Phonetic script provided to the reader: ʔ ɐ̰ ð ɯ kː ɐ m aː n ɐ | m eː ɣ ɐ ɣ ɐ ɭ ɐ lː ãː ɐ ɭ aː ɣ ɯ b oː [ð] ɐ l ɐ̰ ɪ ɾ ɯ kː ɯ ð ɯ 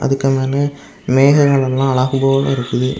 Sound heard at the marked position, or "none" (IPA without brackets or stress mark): none